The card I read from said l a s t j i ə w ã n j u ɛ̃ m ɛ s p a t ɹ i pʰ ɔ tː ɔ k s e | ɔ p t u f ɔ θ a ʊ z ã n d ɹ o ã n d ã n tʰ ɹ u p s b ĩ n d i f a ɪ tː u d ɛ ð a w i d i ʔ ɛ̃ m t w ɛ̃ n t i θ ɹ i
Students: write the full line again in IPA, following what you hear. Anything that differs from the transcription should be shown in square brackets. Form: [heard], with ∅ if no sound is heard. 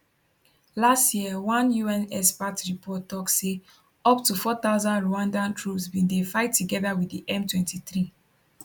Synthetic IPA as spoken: l a s t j i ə w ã n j u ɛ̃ [n] ɛ s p a t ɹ i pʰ ɔ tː ɔ k s e | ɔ p t u f ɔ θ a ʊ z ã n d ɹ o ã n d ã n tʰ ɹ u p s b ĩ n d [e] f a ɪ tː u [ɡ] ɛ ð a w i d i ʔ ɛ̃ m t w ɛ̃ n t i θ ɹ i